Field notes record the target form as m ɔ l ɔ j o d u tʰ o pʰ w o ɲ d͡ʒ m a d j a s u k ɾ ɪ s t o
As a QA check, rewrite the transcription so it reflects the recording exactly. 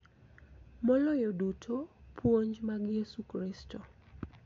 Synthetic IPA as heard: m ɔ l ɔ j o d u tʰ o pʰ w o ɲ d͡ʒ m a ɡ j e s u k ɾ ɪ s t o